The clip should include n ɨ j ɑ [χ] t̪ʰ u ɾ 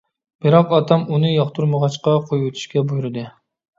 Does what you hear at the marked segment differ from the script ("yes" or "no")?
no